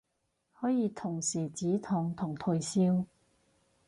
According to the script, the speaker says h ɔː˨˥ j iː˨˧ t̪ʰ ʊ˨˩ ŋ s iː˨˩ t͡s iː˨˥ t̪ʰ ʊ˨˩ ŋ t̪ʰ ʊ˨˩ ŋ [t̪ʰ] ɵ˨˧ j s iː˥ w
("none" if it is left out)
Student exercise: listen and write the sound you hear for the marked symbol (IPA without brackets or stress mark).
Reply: t̪ʰ